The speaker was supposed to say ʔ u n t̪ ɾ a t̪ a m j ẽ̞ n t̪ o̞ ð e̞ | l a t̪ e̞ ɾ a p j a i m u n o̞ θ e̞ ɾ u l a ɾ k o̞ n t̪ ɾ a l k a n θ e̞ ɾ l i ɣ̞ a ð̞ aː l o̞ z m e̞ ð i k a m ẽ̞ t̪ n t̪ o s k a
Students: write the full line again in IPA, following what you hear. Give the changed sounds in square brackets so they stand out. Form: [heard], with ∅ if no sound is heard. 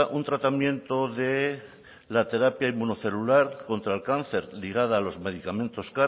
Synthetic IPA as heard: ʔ u n t̪ ɾ a t̪ a m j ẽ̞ n t̪ o̞ ð e̞ | l a t̪ e̞ ɾ a p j a i m u n o̞ θ e̞ [l] u l a ɾ k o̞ n t̪ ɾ a l k a n θ e̞ ɾ l i ɣ̞ a ð̞ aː l o̞ z m e̞ ð i k a m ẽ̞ [∅] n t̪ o s k a